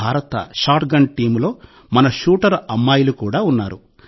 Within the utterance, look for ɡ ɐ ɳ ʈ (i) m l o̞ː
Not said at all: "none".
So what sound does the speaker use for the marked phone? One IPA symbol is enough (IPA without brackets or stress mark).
iː